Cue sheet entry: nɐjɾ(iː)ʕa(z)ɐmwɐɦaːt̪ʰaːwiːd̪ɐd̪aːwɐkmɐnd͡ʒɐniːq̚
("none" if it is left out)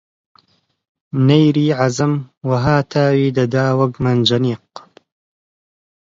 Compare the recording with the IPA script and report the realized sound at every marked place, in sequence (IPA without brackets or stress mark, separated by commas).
iː, z